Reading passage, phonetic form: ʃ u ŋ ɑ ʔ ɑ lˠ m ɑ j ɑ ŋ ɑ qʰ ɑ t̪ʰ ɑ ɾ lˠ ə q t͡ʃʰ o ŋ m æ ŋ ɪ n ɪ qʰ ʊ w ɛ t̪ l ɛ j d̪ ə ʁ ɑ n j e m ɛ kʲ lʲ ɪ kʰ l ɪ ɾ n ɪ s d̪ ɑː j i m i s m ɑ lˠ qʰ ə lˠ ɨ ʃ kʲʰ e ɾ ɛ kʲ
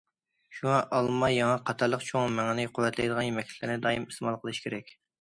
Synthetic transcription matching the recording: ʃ u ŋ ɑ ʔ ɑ lˠ m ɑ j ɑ ŋ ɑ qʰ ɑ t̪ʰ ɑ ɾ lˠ ə q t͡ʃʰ o ŋ m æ ŋ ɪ n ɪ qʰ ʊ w ɛ t̪ l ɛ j d̪ ə ʁ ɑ n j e m ɛ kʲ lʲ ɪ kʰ l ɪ ɾ n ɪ d̪ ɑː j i m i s m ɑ lˠ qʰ ə lˠ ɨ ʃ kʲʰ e ɾ ɛ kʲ